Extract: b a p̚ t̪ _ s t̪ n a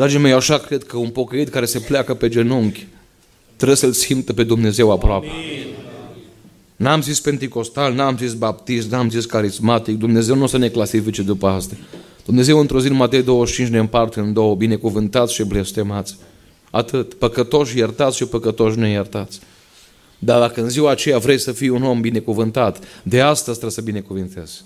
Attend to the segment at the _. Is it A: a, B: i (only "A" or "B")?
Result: B